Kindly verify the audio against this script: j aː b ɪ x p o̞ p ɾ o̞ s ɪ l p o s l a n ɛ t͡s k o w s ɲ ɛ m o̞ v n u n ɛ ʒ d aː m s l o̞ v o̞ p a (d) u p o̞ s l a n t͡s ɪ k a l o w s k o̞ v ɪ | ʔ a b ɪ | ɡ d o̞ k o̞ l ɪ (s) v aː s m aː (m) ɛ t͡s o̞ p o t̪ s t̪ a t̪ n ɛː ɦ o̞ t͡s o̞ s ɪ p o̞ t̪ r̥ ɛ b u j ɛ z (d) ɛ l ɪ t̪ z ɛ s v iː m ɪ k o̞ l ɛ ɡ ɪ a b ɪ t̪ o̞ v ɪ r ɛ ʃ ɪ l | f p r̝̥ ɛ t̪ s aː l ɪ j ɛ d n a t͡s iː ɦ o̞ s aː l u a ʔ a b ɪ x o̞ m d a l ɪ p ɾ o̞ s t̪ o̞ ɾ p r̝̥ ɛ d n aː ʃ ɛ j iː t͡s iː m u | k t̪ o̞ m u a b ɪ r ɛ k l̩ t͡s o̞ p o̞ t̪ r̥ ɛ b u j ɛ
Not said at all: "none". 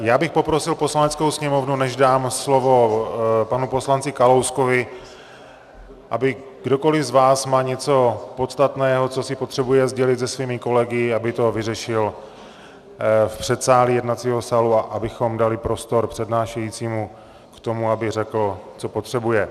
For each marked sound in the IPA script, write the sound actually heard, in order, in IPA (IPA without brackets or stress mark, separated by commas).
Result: n, z, ɲ, ɟ